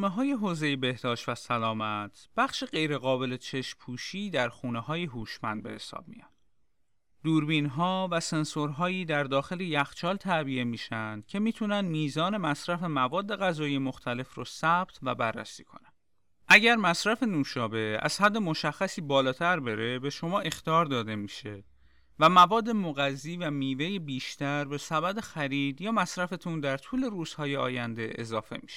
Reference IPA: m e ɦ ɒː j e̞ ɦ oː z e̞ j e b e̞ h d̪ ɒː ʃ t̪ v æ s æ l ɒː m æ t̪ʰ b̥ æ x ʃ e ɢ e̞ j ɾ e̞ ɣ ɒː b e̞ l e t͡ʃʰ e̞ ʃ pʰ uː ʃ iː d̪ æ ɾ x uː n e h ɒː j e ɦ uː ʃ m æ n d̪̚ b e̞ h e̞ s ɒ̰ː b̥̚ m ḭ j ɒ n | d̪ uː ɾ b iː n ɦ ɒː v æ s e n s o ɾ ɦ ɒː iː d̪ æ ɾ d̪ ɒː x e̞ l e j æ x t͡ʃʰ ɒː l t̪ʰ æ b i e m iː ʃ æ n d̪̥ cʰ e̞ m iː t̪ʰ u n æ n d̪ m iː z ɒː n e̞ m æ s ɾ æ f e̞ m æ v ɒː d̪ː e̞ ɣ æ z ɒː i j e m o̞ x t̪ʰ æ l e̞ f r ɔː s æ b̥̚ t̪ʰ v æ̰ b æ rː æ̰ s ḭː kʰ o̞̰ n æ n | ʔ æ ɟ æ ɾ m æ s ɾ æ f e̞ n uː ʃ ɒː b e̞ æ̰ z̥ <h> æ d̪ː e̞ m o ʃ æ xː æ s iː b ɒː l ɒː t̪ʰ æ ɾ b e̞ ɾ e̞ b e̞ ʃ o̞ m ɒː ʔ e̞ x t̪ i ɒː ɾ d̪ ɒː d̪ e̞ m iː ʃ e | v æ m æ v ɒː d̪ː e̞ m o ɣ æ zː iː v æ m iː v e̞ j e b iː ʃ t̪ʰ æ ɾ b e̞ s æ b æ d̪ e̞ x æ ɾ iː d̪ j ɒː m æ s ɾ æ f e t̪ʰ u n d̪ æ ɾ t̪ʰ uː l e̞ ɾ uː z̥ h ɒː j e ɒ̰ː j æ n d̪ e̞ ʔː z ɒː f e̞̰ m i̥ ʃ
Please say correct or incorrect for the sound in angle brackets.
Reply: correct